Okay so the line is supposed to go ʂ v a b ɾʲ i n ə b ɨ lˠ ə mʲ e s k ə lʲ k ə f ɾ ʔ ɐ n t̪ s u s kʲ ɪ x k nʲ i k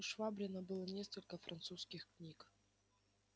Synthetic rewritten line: ʂ v a b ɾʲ ɪ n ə b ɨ lˠ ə nʲ e s k ə lʲ k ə f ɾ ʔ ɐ n t̪ s u s kʲ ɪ x k nʲ i k